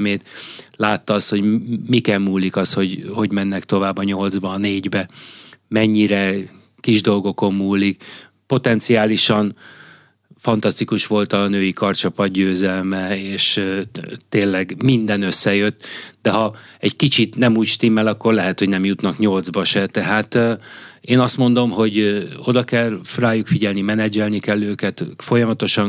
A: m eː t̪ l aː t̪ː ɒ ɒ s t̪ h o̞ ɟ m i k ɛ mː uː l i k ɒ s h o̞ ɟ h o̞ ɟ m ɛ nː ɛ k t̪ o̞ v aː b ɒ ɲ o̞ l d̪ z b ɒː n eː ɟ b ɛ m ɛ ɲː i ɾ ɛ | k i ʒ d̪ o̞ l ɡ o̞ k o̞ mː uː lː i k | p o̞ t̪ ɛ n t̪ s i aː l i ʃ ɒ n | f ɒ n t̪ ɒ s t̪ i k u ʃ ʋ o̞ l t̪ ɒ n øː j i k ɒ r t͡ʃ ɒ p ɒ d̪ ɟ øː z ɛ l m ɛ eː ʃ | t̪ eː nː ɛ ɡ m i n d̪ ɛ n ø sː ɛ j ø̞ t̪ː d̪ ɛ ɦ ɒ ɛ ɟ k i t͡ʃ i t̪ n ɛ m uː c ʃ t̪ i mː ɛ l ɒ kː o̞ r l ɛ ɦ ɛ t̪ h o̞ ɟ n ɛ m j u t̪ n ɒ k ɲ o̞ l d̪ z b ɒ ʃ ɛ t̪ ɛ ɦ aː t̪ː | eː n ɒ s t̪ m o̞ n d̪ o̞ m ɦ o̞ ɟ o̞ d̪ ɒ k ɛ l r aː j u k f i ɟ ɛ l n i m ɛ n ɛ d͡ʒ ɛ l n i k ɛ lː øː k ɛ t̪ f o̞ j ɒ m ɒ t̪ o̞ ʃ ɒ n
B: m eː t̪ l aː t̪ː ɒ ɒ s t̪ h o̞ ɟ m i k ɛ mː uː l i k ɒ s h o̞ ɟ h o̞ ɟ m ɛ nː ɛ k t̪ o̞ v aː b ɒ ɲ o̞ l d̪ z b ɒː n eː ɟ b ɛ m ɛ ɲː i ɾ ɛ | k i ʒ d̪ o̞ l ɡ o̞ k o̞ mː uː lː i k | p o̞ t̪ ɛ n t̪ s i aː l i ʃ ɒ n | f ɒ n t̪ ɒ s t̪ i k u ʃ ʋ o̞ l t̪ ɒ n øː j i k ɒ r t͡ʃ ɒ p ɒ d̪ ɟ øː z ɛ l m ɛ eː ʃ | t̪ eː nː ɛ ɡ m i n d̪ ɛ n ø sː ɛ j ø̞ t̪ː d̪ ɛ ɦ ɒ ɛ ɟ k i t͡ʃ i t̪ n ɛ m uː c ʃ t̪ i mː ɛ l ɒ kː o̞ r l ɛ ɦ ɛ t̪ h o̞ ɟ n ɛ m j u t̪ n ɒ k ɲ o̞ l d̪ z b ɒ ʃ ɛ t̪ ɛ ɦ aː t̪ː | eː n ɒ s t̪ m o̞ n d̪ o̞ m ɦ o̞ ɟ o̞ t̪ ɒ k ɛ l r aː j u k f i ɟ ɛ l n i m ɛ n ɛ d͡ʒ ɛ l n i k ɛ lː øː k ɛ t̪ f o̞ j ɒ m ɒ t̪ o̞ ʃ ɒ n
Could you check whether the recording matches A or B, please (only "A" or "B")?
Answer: A